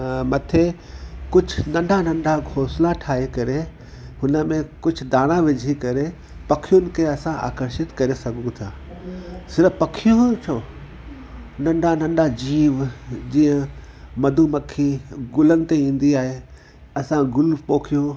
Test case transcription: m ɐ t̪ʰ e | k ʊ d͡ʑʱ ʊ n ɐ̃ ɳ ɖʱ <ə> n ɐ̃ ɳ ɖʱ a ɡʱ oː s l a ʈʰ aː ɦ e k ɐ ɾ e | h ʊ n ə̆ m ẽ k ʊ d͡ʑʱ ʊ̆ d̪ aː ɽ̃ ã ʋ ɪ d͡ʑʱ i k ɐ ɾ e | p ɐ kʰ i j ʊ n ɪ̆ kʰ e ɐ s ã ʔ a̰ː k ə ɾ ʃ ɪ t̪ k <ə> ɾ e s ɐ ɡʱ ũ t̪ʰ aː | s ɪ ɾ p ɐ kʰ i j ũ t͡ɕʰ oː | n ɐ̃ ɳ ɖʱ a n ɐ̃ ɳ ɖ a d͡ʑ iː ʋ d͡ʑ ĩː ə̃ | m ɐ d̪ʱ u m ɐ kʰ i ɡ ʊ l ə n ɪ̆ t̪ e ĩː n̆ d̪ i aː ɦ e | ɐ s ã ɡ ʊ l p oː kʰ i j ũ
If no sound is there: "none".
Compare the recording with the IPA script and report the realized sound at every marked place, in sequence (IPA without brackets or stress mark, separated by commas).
a, ɐ